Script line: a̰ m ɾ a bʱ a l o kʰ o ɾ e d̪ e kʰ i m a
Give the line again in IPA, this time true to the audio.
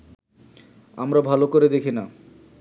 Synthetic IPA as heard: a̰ m ɾ a bʱ a l o k o ɾ e d̪ e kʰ i n a